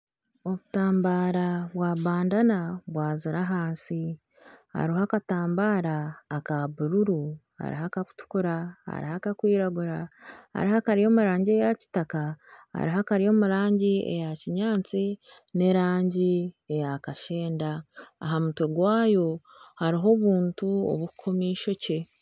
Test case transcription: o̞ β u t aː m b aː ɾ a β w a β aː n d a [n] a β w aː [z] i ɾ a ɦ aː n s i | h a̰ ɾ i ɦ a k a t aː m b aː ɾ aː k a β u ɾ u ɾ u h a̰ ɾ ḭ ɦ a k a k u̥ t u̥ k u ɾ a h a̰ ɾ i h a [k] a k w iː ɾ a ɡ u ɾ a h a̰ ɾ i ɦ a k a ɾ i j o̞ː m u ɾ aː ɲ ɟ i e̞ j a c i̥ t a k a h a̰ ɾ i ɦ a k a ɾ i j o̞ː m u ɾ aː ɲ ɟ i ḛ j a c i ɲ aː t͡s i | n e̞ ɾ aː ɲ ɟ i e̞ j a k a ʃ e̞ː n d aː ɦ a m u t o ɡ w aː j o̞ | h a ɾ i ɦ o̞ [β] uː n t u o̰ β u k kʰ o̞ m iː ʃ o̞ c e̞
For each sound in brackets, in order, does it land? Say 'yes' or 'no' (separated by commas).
yes, yes, yes, yes